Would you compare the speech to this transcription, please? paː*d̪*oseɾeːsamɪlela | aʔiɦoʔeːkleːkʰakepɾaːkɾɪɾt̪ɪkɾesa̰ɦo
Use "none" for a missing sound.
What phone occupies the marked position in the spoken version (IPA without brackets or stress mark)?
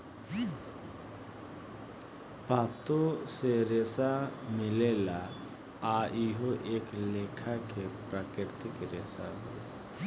t̪